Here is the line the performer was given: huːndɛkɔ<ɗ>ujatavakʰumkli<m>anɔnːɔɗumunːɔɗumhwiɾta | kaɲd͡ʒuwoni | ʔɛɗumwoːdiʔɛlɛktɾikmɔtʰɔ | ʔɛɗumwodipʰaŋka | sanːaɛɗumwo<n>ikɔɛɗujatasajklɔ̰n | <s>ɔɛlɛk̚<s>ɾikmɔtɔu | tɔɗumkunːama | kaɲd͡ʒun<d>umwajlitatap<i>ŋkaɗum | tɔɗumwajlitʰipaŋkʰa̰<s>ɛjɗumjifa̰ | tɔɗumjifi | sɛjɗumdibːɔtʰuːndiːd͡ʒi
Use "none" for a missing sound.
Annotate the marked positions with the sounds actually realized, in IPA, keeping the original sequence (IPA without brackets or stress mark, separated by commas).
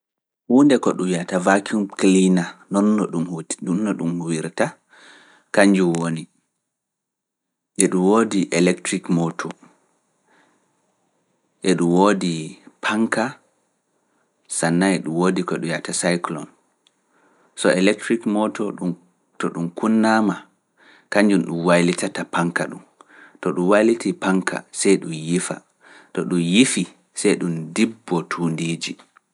ɗ, n, d, s, t, ɗ, a, s